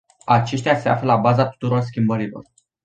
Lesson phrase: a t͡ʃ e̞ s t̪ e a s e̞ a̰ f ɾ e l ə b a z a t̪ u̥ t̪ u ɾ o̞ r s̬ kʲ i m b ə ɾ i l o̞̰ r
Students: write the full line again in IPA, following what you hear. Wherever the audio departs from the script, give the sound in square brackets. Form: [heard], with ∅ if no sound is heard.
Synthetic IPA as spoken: a t͡ʃ e̞ [ʃ] t̪ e a s e̞ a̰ f [l] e l [a] b a z a t̪ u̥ t̪ u ɾ o̞ r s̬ kʲ i m b ə ɾ i l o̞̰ r

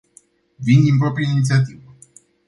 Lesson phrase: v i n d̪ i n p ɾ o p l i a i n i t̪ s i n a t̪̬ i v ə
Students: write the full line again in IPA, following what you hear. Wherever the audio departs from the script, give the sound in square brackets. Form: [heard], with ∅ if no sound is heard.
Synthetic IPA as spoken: v i n d̪ i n p ɾ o p [ɾ] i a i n i t̪ s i [∅] a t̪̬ i v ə

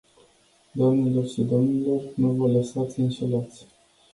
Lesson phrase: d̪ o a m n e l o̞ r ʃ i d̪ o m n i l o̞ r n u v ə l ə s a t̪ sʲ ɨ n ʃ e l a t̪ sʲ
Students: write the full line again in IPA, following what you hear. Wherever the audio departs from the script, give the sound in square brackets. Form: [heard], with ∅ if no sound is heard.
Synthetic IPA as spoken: d̪ o a m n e l o̞ r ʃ i d̪ o m n i l o̞ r n u v ə l ə s a t̪ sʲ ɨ n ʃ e l a t̪ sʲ

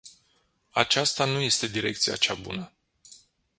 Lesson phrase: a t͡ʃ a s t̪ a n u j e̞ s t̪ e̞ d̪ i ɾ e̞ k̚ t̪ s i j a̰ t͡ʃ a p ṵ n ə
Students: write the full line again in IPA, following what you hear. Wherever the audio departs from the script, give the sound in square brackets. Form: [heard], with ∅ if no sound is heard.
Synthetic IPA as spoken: a t͡ʃ a s t̪ a n u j e̞ s t̪ e̞ d̪ i ɾ e̞ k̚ t̪ s i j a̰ t͡ʃ a [b] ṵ n ə

